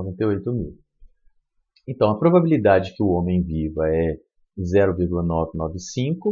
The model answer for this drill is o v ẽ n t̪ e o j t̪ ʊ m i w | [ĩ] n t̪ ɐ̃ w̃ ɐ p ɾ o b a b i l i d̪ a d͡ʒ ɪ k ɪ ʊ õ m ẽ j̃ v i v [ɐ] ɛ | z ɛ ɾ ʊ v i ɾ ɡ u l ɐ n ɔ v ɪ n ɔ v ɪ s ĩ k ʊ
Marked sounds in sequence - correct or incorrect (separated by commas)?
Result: incorrect, correct